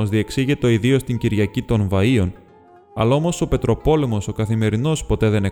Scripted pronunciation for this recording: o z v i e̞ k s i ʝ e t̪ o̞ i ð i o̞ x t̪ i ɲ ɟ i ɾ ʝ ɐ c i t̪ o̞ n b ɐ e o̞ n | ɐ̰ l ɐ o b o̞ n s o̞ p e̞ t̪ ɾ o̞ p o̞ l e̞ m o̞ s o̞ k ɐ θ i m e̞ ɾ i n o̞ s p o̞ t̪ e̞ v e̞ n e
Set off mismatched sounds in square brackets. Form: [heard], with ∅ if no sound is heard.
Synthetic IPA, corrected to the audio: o z [ð] i e̞ k s i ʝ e t̪ o̞ i ð i o̞ [s] t̪ i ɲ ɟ i ɾ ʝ ɐ c i t̪ o̞ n [v] ɐ [i] o̞ n | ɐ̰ l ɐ o [m] o̞ [∅] s o̞ p e̞ t̪ ɾ o̞ p o̞ l e̞ m o̞ s o̞ k ɐ θ i m e̞ ɾ i n o̞ s p o̞ t̪ e̞ [ð] e̞ n e